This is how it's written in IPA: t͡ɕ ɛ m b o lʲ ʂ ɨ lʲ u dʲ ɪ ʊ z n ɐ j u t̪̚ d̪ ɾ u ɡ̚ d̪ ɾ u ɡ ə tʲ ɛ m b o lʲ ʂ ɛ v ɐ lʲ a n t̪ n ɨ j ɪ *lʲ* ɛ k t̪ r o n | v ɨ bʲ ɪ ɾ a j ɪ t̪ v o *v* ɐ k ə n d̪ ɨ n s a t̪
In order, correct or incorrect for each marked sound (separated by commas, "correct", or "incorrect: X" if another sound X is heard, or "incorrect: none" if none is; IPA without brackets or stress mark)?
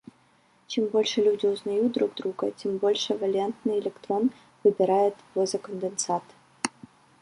correct, incorrect: z